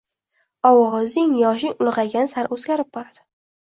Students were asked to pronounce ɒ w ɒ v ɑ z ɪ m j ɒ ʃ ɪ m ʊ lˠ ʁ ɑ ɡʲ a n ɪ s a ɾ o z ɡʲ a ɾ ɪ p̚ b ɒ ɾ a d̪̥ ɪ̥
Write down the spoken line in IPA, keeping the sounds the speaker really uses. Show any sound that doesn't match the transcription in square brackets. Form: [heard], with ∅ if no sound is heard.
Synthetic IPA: ɒ w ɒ [ʁ] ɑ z ɪ [ŋ] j ɒ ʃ ɪ [ŋ] ʊ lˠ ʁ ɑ ɡʲ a n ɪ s a ɾ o z ɡʲ a ɾ ɪ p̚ b ɒ ɾ a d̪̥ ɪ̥